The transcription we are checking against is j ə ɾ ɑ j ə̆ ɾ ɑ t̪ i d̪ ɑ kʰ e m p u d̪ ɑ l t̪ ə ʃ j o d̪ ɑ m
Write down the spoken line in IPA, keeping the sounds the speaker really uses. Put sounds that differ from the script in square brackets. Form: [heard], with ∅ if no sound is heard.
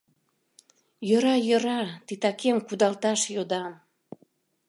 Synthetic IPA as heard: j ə ɾ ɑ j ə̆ ɾ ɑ t̪ i [t̪] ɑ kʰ e m [k] u d̪ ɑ l t̪ [ɑ] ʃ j o d̪ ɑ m